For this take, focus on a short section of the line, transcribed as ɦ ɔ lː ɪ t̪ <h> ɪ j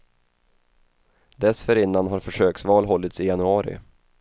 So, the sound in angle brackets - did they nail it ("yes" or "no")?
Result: no